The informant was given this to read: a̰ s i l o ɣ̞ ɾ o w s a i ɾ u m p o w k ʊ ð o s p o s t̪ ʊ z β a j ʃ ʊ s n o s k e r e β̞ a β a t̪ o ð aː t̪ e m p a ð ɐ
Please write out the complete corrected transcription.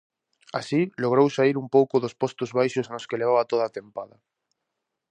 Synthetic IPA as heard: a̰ s i l o ɣ̞ ɾ o w s a i ɾ u m p o w k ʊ ð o s p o s t̪ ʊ z β a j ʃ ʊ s n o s k e l e β̞ a β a t̪ o ð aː t̪ e m p a ð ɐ